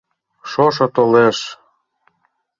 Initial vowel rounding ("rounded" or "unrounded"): rounded